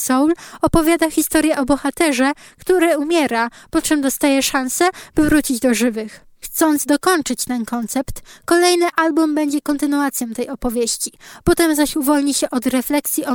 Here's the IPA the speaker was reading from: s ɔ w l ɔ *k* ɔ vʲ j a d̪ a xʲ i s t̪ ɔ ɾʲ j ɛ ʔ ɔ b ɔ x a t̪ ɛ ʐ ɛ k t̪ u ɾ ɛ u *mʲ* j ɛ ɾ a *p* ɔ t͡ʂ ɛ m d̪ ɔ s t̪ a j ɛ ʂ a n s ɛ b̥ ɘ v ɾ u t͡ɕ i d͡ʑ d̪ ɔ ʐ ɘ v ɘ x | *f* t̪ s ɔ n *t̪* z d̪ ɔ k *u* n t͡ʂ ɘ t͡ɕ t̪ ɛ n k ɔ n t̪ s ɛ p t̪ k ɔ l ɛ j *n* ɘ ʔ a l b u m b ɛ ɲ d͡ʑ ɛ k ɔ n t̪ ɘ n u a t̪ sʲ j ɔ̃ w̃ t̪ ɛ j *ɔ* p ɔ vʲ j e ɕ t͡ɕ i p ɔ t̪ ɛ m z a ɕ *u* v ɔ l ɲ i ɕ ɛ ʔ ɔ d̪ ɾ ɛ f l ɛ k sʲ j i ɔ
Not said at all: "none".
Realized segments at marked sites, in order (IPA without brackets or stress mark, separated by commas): p, mʲ, p, x, d̪, ɔ, n, ɔ, u